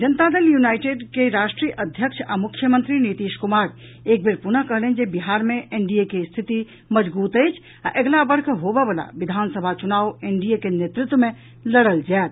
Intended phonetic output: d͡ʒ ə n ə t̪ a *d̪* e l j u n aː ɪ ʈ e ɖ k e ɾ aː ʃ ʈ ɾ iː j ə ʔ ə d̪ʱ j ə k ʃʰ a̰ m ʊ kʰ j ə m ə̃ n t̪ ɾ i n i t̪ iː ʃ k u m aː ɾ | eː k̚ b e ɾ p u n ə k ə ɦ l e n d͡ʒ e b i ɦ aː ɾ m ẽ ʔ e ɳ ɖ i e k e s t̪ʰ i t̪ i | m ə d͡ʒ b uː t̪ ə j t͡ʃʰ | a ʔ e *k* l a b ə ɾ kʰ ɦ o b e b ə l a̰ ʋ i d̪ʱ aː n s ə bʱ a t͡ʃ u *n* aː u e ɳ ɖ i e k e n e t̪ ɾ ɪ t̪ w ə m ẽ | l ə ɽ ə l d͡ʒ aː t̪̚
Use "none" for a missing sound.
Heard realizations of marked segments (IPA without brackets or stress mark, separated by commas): d̪, ɡ, n